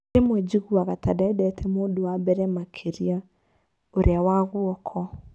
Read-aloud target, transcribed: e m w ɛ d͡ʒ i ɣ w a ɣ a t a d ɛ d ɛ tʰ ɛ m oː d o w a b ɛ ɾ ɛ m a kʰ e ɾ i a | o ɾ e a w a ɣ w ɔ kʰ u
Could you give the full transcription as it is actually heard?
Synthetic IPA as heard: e m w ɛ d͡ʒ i ɣ u a ɣ a t a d ɛ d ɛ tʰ ɛ m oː d o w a b ɛ ɾ ɛ m a kʰ e ɾ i a | o ɾ e a w a ɣ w ɔ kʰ ɔ